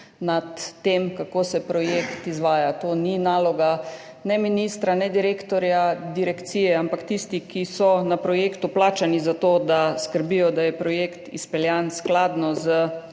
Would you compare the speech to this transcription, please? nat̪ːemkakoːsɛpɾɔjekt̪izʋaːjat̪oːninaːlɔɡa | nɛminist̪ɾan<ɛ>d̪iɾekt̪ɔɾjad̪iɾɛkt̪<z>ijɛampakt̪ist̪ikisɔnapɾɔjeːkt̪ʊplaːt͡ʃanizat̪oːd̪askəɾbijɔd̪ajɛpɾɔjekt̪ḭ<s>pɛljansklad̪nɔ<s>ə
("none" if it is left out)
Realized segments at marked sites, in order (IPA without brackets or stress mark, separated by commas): ɛ, s, s, z